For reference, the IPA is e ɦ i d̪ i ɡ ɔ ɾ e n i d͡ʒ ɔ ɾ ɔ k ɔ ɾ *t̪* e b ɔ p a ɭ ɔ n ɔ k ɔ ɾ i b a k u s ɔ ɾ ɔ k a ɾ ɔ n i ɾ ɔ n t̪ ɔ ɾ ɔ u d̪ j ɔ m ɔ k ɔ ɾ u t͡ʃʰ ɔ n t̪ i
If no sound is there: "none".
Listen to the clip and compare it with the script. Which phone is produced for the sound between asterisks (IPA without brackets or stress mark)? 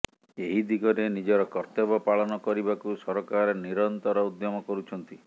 t̪